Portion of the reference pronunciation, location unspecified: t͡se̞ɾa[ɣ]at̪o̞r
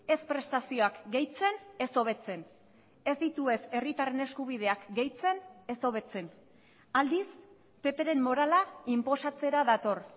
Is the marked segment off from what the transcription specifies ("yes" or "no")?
yes